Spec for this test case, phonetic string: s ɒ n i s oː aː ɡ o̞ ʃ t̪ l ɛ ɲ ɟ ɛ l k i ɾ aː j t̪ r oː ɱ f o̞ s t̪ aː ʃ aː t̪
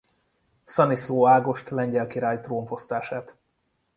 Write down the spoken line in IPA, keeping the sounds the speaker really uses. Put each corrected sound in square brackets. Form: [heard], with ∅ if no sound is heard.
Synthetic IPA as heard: s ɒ n i s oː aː ɡ o̞ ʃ t̪ l ɛ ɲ ɟ ɛ l k i ɾ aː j t̪ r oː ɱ f o̞ s t̪ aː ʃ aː t̪